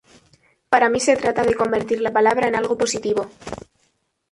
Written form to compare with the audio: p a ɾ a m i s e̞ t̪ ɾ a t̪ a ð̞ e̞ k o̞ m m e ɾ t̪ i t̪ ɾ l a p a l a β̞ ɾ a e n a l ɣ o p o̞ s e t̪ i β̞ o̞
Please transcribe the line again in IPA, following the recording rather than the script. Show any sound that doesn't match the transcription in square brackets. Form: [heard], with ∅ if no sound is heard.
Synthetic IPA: p a ɾ a m i s e̞ t̪ ɾ a t̪ a ð̞ e̞ k o̞ m [b] e ɾ t̪ i [∅] ɾ l a p a l a β̞ ɾ a e n a l ɣ o p o̞ s [i] t̪ i β̞ o̞